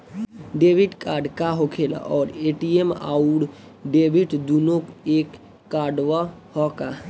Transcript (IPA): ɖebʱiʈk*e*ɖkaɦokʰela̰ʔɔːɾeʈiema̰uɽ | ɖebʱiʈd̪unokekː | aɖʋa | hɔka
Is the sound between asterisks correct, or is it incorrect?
incorrect